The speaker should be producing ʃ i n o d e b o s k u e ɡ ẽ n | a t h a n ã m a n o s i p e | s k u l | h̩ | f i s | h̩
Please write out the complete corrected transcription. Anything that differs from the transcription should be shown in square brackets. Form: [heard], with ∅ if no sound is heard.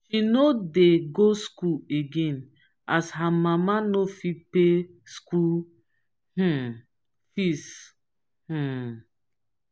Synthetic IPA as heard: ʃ i n o d e [ɡ] o s k u e ɡ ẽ n | a [s] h a [m] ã m a n o [f] i p e | s k u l | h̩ | f i s | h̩